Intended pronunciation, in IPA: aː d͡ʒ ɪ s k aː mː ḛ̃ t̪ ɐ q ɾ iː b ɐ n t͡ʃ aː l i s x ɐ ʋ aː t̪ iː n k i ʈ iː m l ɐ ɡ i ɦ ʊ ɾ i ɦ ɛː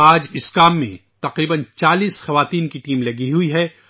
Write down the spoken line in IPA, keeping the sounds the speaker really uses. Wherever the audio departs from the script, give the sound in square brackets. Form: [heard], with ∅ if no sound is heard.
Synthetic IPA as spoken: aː d͡ʒ ɪ s k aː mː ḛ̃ t̪ ɐ q ɾ iː b [ə] n t͡ʃ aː l [iː] s x ɐ ʋ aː t̪ iː n k i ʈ iː m l ɐ ɡ i ɦ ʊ [∅] i ɦ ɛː